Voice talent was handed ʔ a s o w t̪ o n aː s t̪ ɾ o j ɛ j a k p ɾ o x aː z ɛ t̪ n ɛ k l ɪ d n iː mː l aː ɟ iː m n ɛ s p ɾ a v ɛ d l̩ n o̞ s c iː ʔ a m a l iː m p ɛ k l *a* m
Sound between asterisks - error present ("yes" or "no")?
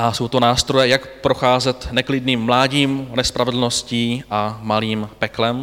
yes